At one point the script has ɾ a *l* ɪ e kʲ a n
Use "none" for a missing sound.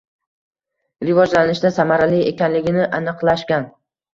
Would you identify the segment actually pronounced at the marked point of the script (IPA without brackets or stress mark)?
l